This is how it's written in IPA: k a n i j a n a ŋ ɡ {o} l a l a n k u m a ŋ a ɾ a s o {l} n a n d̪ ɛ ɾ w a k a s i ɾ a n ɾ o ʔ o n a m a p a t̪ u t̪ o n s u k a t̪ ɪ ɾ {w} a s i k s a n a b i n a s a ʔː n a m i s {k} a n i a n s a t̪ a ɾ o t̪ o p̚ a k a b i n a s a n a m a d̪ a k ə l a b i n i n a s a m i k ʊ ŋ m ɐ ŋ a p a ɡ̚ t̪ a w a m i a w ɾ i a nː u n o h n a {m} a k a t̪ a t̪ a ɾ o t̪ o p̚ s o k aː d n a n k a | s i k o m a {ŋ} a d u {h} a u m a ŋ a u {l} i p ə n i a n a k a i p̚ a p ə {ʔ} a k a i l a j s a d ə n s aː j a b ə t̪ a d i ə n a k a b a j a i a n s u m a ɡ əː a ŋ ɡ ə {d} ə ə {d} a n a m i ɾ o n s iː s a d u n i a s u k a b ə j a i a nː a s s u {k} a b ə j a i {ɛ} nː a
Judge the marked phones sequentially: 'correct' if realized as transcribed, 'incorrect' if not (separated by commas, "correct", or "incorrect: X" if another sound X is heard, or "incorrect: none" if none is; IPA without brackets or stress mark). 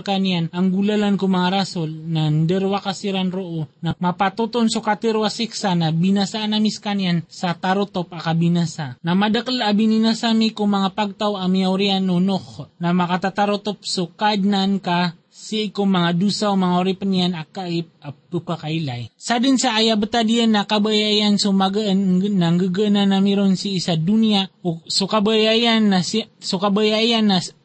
incorrect: u, correct, correct, correct, correct, correct, incorrect: s, incorrect: ɾ, incorrect: p, incorrect: ɡ, incorrect: n, correct, incorrect: a